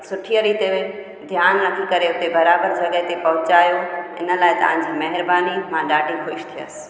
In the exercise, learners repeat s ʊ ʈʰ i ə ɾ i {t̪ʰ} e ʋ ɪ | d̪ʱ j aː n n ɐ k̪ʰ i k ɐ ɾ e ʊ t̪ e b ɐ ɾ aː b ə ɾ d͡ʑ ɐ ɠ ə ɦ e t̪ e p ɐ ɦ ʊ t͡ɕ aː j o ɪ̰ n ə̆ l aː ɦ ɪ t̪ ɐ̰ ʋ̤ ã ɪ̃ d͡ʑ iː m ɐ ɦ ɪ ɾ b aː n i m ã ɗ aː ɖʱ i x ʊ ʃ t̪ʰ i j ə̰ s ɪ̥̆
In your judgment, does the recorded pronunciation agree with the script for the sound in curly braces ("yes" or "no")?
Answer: no